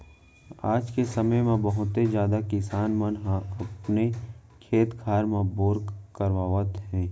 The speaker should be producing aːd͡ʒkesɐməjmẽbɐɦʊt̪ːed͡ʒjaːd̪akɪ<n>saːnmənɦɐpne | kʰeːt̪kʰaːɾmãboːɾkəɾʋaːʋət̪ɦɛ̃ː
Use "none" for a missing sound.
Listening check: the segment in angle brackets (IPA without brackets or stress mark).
none